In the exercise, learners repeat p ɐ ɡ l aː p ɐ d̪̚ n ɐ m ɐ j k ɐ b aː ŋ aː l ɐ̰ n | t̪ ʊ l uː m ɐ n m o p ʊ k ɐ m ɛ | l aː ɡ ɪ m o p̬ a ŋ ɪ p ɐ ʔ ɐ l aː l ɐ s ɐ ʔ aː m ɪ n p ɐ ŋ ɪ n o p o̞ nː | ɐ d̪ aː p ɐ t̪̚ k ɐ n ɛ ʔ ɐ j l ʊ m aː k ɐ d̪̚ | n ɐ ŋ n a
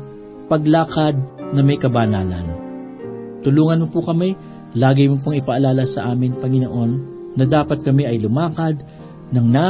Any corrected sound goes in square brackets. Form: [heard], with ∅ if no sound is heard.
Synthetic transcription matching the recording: p ɐ ɡ l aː [k] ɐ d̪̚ n ɐ m ɐ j k ɐ b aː [n] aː l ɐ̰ n | t̪ ʊ l uː [ŋ] ɐ n m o p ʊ k ɐ m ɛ | l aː ɡ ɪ m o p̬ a ŋ ɪ p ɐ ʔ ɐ l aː l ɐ s ɐ ʔ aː m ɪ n p ɐ ŋ ɪ n o [ʔ] o̞ nː | ɐ d̪ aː p ɐ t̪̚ k ɐ [m] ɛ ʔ ɐ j l ʊ m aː k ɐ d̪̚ | n ɐ ŋ n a